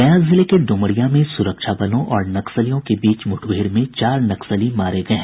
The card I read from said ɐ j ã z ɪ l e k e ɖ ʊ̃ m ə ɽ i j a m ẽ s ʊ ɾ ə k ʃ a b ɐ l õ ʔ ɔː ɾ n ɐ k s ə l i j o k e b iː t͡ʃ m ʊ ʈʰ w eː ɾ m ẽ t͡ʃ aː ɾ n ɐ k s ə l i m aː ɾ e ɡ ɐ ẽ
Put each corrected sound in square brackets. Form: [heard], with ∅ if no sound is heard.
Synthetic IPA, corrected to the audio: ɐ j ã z ɪ l e k e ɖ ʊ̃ m ə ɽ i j a m ẽ s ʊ ɾ ə k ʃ a b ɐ l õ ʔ ɔː ɾ n ɐ k s ə l i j [õ] k e b iː t͡ʃ m ʊ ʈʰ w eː ɾ m ẽ t͡ʃ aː ɾ n ɐ k s ə l i m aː ɾ e ɡ ɐ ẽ

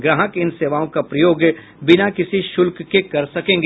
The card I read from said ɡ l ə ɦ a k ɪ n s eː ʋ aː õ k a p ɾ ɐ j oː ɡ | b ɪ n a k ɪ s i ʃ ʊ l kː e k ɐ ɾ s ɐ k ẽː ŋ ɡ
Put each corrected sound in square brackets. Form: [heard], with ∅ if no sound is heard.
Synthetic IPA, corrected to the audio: ɡ [ɾ] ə ɦ [ə] k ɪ n s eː ʋ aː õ k a p ɾ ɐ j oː ɡ | b ɪ n a k ɪ s i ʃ ʊ l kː e k ɐ ɾ s ɐ k ẽː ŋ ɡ

